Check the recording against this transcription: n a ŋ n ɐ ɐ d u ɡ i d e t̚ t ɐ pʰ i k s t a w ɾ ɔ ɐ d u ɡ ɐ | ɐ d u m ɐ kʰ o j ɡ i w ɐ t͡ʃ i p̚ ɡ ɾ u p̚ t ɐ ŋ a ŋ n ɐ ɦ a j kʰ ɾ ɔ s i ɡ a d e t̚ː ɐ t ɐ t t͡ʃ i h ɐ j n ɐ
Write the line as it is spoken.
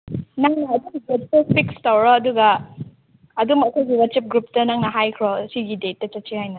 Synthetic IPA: n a ŋ n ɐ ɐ d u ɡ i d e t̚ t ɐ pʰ i k s t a w ɾ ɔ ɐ d u ɡ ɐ | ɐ d u m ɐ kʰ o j ɡ i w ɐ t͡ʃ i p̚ ɡ ɾ u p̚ t ɐ n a ŋ n ɐ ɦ a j kʰ ɾ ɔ s i ɡ i d e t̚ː ɐ t͡ʃ ɐ t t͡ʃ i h a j n ɐ